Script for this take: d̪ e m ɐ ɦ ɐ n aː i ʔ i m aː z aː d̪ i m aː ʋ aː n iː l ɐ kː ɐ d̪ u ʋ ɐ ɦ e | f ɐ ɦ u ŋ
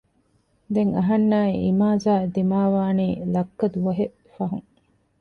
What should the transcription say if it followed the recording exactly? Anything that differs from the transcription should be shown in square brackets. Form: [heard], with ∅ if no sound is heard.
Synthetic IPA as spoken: d̪ e [ŋ] ɐ ɦ ɐ [nː] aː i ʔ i m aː z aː d̪ i m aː ʋ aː n iː l ɐ kː ɐ d̪ u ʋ ɐ ɦ e | f ɐ ɦ u ŋ